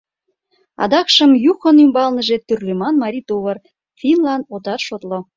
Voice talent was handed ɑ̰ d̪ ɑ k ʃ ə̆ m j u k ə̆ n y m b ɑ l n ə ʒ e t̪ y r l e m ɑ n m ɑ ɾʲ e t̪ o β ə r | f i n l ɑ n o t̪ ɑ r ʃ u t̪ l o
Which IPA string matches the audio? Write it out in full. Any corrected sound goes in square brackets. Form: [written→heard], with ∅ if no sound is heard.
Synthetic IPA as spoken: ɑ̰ d̪ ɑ k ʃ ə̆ m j u [k→x] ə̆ n y m b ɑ l n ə ʒ e t̪ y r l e m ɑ n m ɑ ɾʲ [e→i] t̪ o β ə r | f i n l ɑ n o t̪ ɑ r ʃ [u→o] t̪ l o